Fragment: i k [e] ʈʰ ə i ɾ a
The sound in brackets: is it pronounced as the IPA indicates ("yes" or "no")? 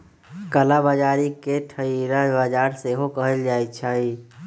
yes